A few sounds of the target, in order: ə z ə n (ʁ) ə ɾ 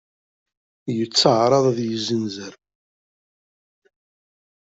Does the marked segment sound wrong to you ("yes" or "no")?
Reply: yes